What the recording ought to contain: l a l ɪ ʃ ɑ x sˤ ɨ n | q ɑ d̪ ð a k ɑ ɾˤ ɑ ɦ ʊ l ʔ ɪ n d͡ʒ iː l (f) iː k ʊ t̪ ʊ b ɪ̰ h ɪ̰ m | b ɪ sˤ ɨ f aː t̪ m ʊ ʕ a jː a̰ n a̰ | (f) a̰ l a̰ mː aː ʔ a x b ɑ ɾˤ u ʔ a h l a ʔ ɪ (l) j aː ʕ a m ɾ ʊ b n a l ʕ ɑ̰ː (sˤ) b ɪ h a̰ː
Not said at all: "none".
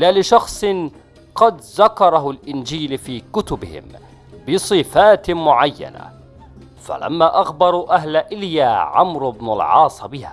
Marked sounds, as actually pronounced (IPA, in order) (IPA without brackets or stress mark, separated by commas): f, f, l, sˤ